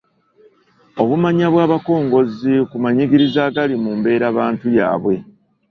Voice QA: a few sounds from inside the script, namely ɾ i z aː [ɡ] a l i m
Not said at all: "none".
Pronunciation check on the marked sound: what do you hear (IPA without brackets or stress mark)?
ɡ